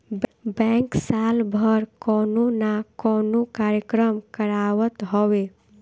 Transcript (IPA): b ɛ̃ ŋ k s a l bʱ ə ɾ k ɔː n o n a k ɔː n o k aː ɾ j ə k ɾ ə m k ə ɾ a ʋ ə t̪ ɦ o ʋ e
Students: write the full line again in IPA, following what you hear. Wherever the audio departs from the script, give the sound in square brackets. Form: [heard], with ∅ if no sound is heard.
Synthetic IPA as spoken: b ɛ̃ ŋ k s a l bʱ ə ɾ k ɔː n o n a k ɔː n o k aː ɾ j ə k ɾ ə m k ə ɾ a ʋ ə t̪ ɦ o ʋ e